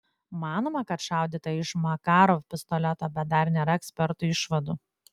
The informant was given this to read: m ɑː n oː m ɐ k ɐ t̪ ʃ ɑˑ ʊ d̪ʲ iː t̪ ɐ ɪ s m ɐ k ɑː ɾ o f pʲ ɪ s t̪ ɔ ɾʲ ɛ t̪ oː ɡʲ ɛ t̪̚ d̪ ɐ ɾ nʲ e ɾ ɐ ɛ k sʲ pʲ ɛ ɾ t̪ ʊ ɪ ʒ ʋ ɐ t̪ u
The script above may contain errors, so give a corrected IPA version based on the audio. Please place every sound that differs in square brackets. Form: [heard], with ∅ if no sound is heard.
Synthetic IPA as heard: m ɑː n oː m ɐ k ɐ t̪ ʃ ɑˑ ʊ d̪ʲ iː t̪ ɐ ɪ [ʃ] m ɐ k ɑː ɾ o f pʲ ɪ s t̪ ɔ [lʲ] ɛ t̪ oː [bʲ] ɛ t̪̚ d̪ ɐ ɾ nʲ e ɾ ɐ ɛ k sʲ pʲ ɛ ɾ t̪ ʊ ɪ [ʃ] ʋ ɐ [d̪] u